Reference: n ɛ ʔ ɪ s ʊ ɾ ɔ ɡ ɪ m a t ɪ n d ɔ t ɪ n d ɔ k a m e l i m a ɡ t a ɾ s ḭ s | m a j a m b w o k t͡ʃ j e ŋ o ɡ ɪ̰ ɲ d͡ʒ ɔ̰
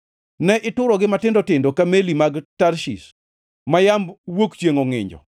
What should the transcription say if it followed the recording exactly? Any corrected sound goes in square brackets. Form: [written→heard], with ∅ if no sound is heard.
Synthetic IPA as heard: n ɛ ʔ ɪ [s→t] ʊ ɾ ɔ ɡ ɪ m a t ɪ n d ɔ t ɪ n d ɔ k a m e l i m a ɡ t a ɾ [s→ʃ] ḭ s | m a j a m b w o k t͡ʃ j e ŋ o [ɡ→ŋ] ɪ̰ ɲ d͡ʒ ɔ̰